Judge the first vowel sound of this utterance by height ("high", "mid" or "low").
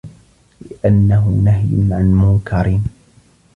high